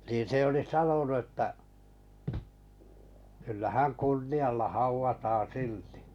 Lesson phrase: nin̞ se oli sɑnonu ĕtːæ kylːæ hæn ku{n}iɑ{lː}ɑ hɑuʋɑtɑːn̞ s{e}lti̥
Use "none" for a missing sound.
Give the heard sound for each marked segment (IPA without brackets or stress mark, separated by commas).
nː, lː, i